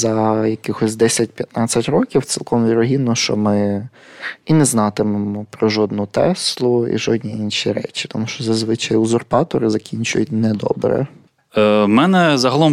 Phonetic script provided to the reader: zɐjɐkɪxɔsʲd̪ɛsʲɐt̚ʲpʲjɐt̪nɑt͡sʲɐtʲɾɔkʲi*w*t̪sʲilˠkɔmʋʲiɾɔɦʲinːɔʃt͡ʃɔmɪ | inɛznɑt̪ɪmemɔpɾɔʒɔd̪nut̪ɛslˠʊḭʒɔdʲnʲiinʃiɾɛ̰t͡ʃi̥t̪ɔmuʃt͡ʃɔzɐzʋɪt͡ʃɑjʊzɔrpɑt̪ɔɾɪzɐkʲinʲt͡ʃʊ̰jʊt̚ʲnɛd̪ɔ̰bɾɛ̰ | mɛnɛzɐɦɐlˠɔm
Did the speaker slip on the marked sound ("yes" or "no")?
no